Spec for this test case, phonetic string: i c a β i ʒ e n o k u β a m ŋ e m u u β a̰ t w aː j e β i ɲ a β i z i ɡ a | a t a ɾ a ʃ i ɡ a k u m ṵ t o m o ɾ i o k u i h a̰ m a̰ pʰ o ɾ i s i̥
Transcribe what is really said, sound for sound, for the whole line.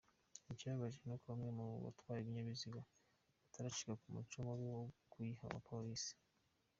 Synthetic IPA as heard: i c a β a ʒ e n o k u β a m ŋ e m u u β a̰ t w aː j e β i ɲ a β i z i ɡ a | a t a ɾ a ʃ i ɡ a k u m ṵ t͡ʃ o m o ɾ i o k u i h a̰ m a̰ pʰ o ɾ i s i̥